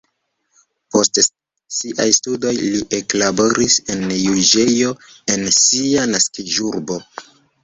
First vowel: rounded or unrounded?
rounded